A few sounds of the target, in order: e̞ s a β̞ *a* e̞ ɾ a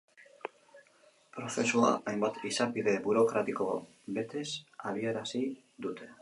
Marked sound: incorrect: i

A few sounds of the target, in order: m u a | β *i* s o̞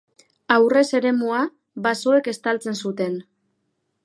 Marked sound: incorrect: a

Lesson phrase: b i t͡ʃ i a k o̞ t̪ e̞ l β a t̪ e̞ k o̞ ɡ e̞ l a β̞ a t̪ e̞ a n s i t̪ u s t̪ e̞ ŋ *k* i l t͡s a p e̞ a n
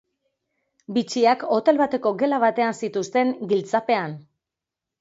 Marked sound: incorrect: ɡ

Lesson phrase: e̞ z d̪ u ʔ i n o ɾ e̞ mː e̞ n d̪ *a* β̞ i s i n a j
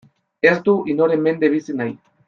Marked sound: incorrect: e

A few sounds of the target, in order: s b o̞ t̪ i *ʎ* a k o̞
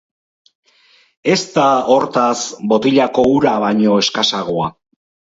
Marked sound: correct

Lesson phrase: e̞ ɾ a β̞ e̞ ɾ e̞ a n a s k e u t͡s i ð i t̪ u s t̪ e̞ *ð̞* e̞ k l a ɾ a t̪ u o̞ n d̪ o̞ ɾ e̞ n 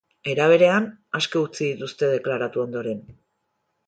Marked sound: correct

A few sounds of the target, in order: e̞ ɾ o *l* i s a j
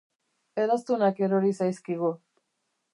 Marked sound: incorrect: ɾ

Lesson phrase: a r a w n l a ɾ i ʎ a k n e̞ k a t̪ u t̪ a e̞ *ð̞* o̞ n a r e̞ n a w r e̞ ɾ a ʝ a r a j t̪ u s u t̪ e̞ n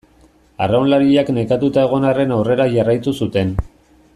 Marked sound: incorrect: ɣ̞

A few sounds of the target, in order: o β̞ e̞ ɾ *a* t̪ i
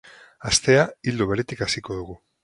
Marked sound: incorrect: e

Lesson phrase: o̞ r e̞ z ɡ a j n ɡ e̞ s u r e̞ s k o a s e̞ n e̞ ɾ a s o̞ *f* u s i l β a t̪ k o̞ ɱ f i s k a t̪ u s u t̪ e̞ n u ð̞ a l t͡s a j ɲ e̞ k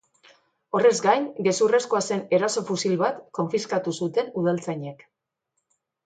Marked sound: correct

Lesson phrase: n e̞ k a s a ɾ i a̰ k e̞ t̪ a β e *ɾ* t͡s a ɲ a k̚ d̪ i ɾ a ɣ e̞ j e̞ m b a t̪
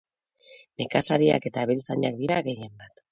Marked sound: incorrect: l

